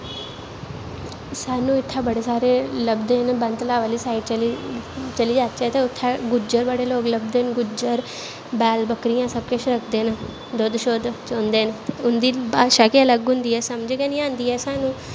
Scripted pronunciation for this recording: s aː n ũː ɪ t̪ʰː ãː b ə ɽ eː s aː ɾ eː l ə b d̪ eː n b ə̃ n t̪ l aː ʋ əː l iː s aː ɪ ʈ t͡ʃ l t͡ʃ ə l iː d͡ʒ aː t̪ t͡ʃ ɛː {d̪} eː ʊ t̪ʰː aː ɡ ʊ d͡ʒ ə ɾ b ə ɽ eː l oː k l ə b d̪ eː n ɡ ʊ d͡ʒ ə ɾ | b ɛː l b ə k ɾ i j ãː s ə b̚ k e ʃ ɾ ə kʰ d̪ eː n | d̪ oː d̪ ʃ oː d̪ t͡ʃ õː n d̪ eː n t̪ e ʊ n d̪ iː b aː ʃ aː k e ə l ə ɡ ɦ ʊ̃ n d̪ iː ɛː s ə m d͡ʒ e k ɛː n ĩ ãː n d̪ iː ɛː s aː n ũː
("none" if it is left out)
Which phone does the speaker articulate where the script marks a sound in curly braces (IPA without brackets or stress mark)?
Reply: t̪